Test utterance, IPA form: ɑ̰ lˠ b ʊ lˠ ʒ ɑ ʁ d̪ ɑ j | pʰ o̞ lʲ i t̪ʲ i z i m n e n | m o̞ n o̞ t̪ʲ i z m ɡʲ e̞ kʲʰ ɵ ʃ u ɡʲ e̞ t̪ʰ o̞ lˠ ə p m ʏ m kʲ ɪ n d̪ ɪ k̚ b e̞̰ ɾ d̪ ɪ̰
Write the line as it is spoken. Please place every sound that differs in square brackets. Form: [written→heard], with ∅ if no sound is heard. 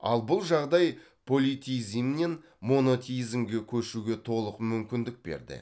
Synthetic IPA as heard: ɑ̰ lˠ b ʊ lˠ ʒ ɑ ʁ d̪ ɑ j | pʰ o̞ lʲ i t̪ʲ i z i m n e n | m o̞ n o̞ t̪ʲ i z m ɡʲ e̞ kʲʰ ɵ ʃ u ɡʲ e̞ t̪ʰ o̞ lˠ ə [p→q] m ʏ m kʲ ɪ n d̪ ɪ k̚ b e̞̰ ɾ d̪ ɪ̰